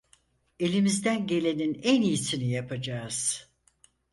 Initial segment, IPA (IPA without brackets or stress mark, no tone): e̞